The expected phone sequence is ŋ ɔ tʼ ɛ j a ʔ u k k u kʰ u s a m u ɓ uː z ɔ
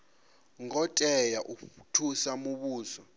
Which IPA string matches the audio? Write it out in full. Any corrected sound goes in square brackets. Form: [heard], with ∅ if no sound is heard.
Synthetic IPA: ŋ ɔ tʼ ɛ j a ʔ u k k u [tʰ] u s a m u ɓ uː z ɔ